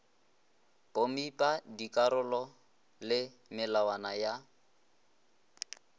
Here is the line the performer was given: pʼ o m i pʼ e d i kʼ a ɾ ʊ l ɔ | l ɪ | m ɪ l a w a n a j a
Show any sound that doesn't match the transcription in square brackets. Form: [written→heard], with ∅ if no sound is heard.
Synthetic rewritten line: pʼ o m i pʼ [e→a] d i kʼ a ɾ ʊ l ɔ | l ɪ | m ɪ l a w a n a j a

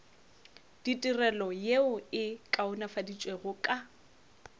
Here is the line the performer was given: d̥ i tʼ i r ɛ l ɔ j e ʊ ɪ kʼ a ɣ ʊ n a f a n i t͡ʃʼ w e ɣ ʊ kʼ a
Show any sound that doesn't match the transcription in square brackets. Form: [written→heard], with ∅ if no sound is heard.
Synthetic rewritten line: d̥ i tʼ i r ɛ l ɔ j e ʊ ɪ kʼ a [ɣ→∅] ʊ n a f a [n→d] i t͡ʃʼ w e ɣ ʊ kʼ a

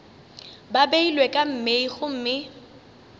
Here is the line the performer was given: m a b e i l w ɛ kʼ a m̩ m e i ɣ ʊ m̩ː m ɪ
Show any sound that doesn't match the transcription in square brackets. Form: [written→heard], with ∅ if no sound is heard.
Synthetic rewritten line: [m→b] a b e i l w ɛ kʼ a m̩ m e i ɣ ʊ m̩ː m ɪ

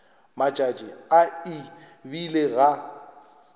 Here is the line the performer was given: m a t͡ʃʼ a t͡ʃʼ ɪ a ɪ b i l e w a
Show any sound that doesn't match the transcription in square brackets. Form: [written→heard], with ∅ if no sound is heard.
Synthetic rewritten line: m a t͡ʃʼ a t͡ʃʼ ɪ a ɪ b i l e [w→ɣ] a

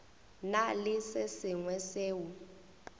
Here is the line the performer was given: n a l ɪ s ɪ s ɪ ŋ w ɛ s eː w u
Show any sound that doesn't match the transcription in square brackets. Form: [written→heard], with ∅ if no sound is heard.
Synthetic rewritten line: n a l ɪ s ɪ s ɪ ŋ w ɛ s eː w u

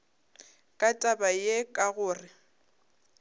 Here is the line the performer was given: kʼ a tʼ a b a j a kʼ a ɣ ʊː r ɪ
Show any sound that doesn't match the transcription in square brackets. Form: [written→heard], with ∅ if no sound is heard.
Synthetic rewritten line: kʼ a tʼ a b a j [a→e] kʼ a ɣ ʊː r ɪ

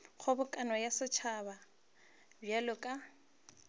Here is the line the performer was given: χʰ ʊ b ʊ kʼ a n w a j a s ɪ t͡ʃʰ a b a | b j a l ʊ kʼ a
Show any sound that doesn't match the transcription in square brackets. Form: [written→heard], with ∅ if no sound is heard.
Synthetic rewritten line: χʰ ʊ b ʊ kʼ a n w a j a s ɪ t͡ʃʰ a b a | b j a l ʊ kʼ a

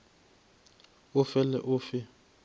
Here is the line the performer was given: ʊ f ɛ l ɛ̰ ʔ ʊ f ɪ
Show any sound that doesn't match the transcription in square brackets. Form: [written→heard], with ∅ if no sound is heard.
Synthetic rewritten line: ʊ f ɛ l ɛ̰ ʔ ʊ f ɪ

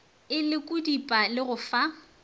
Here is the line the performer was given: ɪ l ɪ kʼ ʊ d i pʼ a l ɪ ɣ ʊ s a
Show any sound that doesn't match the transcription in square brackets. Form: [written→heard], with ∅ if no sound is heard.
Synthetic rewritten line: ɪ l ɪ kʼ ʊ d i pʼ a l ɪ ɣ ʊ [s→f] a

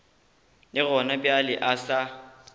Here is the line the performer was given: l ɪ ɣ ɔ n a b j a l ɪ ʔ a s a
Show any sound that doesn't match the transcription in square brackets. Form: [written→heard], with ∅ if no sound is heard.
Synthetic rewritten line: l ɪ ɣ ɔ n a b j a l ɪ ʔ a s a

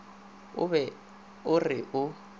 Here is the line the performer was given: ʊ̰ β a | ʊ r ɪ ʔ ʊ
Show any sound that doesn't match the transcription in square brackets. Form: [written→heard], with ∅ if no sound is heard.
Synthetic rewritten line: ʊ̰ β [a→ɛ] | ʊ r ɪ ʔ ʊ

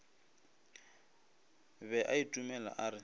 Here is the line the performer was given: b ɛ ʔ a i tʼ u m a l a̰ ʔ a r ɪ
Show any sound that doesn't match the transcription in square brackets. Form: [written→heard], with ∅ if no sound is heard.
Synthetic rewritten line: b ɛ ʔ a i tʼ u m [a→ɛ] l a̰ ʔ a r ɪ

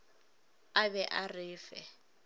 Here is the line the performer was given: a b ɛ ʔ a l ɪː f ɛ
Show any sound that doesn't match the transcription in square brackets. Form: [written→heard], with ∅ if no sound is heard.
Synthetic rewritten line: a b ɛ ʔ a [l→r] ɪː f ɛ

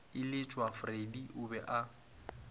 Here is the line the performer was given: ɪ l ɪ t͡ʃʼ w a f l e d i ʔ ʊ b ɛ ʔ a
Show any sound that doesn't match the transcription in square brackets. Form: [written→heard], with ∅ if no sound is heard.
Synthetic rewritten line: ɪ l ɪ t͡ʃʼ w a f [l→r] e d i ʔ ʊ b ɛ ʔ a

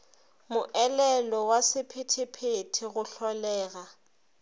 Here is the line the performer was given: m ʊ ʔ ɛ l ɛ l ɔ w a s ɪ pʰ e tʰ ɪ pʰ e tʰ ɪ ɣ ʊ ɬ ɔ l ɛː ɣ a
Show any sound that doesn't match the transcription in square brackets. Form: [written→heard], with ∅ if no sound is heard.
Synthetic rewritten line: m ʊ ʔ ɛ l ɛ l ɔ w a s ɪ pʰ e tʰ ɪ pʰ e tʰ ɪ ɣ ʊ ɬ ɔ l ɛː ɣ a

